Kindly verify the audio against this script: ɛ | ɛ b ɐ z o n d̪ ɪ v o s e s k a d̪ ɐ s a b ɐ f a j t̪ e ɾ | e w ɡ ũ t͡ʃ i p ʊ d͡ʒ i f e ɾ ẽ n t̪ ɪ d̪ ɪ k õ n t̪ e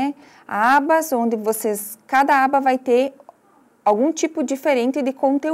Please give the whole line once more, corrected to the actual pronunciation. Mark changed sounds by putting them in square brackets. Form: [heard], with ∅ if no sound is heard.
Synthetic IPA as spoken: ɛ | [a] b ɐ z [õ] n d̪ ɪ v o s e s k a d̪ ɐ [∅] a b ɐ [v] a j t̪ e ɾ | [a] w ɡ ũ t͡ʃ i p ʊ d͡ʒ i f e ɾ ẽ n t̪ ɪ d̪ ɪ k õ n t̪ e